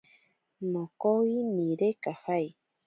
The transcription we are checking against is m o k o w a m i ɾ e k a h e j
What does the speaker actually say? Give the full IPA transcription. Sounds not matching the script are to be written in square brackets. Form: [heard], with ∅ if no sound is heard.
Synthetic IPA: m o k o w [i] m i ɾ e k a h [a] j